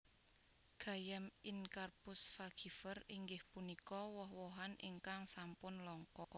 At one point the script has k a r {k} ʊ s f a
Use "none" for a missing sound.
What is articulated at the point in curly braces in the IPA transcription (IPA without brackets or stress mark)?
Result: p